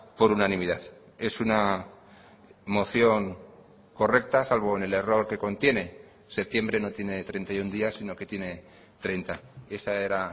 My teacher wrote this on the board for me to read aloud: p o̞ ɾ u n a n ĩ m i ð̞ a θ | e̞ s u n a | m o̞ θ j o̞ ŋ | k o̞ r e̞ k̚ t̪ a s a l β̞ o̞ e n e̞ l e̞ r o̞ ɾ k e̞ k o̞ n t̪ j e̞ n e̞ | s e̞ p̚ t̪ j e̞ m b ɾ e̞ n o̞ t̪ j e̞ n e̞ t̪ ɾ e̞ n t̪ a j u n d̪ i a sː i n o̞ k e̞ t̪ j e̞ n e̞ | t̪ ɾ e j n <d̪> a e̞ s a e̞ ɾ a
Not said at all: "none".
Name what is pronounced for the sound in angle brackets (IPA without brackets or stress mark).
t̪